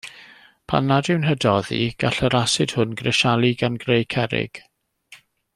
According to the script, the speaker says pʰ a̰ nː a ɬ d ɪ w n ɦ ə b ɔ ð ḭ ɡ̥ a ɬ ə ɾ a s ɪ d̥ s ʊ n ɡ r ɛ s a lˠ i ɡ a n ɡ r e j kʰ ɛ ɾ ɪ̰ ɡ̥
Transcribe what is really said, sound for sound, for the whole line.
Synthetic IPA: pʰ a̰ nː a d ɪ w n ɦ ə d ɔ ð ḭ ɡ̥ a ɬ ə ɾ a s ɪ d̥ h ʊ n ɡ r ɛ ʃ a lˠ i ɡ a n ɡ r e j kʰ ɛ ɾ ɪ̰ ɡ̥